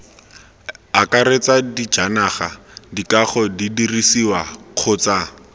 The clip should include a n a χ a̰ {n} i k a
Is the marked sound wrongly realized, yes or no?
yes